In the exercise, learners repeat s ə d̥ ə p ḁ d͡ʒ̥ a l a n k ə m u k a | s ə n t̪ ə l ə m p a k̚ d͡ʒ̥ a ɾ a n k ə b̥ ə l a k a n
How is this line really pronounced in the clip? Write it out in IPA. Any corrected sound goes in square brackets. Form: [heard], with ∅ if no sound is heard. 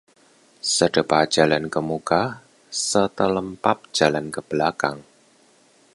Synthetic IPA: s ə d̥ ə p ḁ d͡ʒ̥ a l a n k ə m u k a | s ə [∅] t̪ ə l ə m p a [p̚] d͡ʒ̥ a [l] a n k ə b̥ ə l a k a [ŋ]